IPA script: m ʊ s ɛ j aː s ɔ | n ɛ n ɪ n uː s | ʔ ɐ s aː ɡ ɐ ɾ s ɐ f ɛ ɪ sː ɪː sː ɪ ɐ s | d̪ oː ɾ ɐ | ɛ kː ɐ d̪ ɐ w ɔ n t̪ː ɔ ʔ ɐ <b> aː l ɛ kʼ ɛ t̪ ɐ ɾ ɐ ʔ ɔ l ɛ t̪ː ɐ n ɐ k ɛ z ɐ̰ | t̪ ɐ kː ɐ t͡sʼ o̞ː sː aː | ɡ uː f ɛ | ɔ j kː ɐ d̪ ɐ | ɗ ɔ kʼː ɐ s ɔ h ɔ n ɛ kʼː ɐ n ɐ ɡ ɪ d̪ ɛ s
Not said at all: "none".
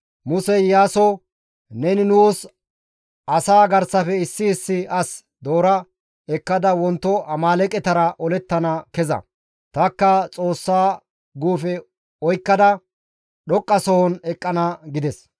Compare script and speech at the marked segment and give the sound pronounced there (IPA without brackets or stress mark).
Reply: m